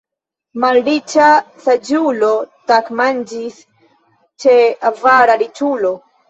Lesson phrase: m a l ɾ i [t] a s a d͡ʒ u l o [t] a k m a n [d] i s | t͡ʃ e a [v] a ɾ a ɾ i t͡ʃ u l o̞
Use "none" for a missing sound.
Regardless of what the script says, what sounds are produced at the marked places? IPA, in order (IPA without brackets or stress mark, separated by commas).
t͡ʃ, t, d͡ʒ, v